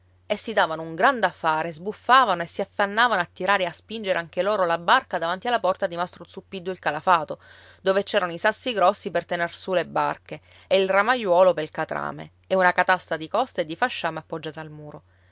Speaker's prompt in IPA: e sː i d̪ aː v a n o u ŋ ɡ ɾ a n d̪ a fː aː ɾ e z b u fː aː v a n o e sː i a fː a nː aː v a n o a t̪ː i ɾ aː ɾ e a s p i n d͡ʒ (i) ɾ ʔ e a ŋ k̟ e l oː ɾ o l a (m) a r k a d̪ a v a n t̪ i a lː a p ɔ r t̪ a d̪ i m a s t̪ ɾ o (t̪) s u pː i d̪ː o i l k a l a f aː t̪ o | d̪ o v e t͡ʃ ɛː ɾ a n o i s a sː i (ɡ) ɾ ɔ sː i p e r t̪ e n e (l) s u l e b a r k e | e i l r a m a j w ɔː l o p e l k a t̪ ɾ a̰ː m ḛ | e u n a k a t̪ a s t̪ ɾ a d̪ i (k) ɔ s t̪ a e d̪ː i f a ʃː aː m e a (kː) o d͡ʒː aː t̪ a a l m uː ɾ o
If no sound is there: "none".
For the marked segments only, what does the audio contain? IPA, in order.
e, b, t̪, ɡ, r, k, pː

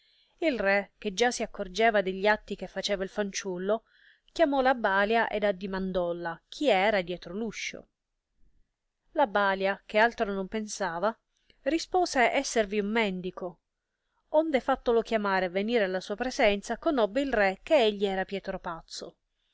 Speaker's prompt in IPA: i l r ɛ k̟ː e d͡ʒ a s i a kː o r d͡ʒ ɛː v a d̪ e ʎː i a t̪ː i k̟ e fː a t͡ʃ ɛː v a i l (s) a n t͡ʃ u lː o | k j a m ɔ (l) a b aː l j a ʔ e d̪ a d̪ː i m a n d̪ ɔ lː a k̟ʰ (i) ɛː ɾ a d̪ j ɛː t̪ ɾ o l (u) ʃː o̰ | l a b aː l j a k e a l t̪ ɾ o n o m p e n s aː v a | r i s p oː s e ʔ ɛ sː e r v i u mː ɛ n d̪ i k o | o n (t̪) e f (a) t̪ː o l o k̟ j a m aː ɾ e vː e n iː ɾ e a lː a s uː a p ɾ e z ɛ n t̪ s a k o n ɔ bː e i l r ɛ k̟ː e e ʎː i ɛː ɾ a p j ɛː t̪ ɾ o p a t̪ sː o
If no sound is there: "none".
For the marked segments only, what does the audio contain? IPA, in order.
f, l, i, u, d̪, a

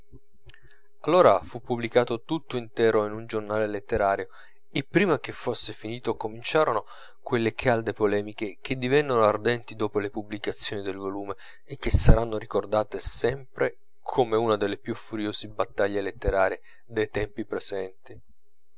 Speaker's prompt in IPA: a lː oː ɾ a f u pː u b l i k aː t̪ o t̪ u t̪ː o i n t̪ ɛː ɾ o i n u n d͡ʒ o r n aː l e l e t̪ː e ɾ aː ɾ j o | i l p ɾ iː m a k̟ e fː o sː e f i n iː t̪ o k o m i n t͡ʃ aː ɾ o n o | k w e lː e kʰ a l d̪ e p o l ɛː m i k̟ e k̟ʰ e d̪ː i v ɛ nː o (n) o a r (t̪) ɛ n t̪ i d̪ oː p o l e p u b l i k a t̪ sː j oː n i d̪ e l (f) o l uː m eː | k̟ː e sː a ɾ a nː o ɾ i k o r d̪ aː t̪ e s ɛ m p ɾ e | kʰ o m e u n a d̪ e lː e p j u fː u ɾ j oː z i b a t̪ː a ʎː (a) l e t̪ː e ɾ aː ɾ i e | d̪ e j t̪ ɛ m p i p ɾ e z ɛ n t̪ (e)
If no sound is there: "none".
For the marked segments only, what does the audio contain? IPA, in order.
n, d̪, v, e, i

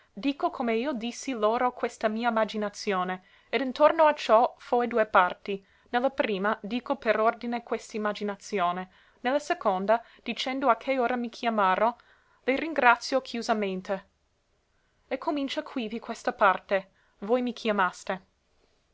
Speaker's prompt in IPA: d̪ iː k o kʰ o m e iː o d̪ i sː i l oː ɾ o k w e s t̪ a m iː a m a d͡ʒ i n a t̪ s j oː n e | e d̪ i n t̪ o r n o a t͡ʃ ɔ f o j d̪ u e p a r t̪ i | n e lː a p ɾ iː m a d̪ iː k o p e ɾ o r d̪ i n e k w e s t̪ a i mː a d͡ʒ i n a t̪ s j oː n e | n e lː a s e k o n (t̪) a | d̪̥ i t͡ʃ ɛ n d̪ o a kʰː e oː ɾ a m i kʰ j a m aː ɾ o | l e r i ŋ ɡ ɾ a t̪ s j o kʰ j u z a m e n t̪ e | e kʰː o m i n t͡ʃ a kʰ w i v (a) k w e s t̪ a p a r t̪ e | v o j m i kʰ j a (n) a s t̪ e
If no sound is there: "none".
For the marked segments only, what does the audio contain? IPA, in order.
d̪, i, m

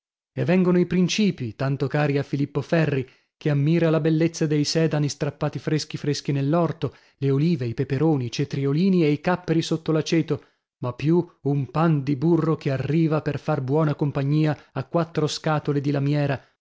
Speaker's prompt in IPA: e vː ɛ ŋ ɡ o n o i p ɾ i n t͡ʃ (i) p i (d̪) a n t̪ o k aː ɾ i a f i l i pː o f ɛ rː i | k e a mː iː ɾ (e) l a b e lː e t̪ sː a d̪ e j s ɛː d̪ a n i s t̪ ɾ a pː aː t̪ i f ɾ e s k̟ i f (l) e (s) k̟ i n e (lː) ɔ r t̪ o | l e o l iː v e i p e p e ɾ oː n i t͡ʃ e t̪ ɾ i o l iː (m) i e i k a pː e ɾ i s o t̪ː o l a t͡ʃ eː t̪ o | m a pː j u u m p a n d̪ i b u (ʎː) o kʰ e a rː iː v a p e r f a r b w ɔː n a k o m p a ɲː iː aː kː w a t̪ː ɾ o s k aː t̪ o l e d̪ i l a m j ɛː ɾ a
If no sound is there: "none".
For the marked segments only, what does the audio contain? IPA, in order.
iː, t̪, a, ɾ, s, lː, n, rː

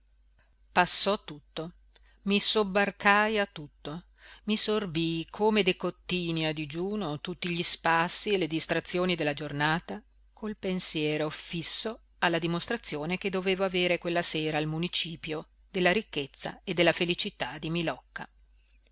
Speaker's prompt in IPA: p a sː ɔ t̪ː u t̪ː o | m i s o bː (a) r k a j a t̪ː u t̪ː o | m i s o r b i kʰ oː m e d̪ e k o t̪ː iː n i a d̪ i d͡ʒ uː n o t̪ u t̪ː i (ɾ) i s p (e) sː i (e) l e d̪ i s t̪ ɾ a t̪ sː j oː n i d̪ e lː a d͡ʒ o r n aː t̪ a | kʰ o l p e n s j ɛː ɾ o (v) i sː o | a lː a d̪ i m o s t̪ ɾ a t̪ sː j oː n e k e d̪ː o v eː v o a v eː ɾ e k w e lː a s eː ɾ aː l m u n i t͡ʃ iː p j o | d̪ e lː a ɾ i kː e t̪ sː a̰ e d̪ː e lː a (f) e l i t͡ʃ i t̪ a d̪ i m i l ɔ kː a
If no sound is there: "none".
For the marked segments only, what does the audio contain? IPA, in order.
a, ʎ, a, e, f, f

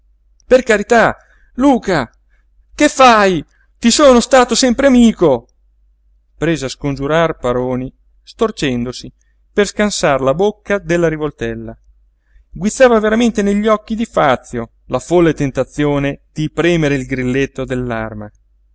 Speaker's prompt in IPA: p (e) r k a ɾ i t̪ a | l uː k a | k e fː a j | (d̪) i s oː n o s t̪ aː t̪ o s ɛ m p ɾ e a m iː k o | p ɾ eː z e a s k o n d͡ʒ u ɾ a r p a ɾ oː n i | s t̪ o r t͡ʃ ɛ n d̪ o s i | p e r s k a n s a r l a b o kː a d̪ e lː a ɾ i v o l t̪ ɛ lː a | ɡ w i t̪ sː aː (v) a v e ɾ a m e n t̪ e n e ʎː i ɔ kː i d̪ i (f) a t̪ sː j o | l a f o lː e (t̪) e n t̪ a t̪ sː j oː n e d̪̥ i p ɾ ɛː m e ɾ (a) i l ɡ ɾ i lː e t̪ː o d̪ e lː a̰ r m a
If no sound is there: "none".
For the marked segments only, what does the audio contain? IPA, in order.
e, t̪, v, f, t̪, e

